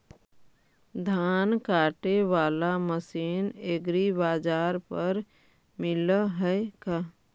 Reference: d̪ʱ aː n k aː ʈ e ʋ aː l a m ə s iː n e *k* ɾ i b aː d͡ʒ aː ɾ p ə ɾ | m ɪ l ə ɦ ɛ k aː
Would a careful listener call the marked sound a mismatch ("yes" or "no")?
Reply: yes